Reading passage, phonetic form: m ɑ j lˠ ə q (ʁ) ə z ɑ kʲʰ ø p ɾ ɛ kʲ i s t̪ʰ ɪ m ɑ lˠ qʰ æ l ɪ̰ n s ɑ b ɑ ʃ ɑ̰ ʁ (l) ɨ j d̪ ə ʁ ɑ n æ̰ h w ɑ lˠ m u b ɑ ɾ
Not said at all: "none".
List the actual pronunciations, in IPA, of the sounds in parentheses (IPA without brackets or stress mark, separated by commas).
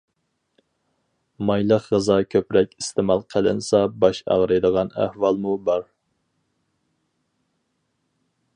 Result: ʁ, ɾ